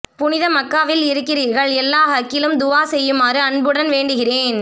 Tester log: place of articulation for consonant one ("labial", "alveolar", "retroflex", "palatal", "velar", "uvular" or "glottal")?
labial